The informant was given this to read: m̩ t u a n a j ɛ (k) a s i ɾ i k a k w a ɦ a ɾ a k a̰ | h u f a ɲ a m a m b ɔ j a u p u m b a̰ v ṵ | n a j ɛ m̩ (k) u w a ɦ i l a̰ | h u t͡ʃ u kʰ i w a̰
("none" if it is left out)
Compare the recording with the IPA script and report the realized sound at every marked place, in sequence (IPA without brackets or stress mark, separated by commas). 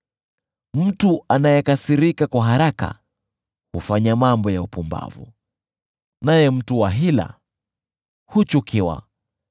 k, t